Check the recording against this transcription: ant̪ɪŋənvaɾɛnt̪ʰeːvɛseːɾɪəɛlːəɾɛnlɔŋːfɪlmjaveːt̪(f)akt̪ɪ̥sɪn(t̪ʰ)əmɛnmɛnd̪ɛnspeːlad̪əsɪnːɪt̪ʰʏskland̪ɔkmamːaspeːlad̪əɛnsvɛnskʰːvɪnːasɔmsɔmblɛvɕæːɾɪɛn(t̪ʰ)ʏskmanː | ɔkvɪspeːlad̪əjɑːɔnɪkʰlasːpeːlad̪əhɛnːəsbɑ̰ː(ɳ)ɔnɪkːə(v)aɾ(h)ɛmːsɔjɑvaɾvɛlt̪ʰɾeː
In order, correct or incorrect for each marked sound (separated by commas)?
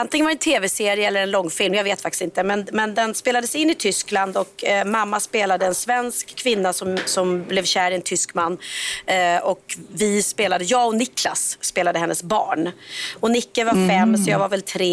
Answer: correct, incorrect, correct, correct, correct, incorrect